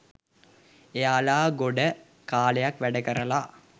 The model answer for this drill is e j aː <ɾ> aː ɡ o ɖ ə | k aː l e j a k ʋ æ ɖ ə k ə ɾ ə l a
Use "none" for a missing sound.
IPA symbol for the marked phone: l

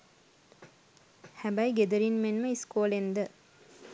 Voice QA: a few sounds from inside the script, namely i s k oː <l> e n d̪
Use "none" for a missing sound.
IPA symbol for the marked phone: l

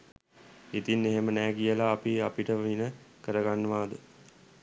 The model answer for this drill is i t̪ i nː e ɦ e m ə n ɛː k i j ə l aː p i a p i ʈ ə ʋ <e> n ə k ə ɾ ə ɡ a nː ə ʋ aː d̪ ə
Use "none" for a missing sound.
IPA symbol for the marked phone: i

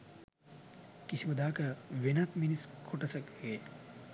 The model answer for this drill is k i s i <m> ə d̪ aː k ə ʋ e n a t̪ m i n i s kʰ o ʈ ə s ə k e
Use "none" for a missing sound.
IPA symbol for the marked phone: m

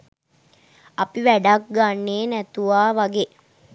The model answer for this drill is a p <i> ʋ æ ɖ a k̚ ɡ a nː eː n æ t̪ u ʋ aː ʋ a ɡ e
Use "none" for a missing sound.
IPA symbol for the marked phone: i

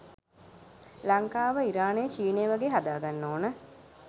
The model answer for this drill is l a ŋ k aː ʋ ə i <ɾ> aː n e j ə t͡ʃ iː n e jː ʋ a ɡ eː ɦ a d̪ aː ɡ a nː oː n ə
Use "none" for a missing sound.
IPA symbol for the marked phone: ɾ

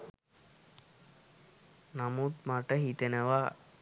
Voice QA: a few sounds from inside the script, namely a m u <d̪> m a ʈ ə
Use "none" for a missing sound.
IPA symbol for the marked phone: t̪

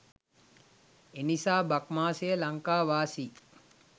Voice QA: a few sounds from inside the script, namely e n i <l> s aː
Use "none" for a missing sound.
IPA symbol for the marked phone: none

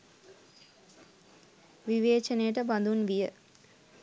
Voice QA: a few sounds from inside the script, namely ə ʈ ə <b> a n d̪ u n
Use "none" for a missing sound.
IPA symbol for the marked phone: b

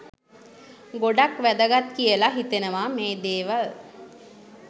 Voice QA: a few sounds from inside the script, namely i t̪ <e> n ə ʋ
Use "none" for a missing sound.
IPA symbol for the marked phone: e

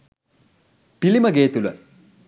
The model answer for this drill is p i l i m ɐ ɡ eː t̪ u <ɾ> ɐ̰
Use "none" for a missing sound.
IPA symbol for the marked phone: l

